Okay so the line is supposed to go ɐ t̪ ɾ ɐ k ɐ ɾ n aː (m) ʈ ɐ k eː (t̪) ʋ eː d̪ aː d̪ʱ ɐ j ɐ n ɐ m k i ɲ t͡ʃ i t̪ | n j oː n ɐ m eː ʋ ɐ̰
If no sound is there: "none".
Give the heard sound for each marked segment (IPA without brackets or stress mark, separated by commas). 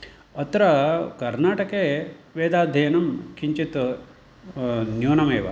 none, none